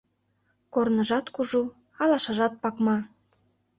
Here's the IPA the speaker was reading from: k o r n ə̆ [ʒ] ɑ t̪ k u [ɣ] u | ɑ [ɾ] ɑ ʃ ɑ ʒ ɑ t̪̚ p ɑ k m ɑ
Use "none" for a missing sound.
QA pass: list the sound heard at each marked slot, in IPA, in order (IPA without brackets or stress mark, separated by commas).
ʒ, ʒ, l